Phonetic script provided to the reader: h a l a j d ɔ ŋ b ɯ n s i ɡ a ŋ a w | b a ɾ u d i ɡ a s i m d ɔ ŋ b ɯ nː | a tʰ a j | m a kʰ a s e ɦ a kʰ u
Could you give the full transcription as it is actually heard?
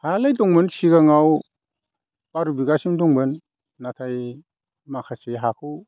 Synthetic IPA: h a l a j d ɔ ŋ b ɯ n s i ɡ a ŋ a w | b a ɾ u b i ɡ a s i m d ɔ ŋ b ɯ nː | a tʰ a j | m a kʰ a s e ɦ a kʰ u